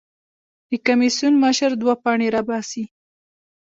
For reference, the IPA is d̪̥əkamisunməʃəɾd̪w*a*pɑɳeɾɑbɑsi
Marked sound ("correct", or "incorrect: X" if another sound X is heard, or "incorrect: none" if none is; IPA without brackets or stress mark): correct